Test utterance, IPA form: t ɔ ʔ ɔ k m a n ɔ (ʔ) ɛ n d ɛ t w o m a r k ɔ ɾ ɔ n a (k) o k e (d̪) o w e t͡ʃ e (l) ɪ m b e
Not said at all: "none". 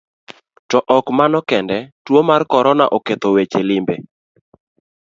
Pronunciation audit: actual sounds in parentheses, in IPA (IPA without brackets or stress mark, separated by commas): k, ʔ, t̪, l